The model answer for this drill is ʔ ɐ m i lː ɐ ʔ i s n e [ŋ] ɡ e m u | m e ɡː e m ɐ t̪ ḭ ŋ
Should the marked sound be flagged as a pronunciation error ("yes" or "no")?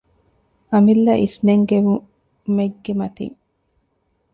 no